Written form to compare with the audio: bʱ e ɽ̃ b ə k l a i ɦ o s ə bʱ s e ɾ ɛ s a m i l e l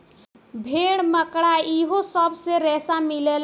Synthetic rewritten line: bʱ e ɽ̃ m ə k ɽ a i ɦ o s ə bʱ s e ɾ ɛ s a m i l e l